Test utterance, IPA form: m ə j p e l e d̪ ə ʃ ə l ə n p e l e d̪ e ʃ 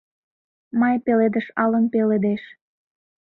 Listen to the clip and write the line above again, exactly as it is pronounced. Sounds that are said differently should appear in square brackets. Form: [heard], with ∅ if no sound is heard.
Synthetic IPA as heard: m [ɑ] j p e l e d̪ ə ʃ [ɑ] l ə n p e l e d̪ e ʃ